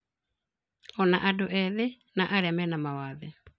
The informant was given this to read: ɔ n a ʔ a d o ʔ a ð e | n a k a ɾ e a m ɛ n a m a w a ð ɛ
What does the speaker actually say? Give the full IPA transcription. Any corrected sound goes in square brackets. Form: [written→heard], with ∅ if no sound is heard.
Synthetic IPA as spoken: ɔ n a ʔ a d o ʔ [a→ɛ] ð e | n a [k→ʔ] a ɾ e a m ɛ n a m a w a ð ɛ